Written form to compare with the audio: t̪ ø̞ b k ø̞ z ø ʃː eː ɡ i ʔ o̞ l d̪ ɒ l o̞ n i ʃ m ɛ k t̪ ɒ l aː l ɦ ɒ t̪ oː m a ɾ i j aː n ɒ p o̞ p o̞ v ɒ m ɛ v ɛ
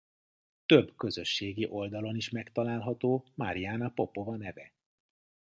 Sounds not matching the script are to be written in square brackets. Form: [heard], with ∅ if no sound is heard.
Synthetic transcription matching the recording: t̪ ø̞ b k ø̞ z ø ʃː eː ɡ i ʔ o̞ l d̪ ɒ l o̞ n i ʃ m ɛ k t̪ ɒ l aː l ɦ ɒ t̪ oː m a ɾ i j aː n ɒ p o̞ p o̞ v ɒ [n] ɛ v ɛ